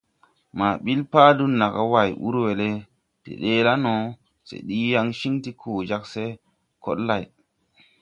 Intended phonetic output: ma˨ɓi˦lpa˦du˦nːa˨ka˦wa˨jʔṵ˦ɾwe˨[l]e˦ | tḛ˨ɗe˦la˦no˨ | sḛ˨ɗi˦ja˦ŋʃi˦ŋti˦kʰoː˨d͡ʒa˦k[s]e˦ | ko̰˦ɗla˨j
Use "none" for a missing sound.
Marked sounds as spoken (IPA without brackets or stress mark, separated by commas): l, s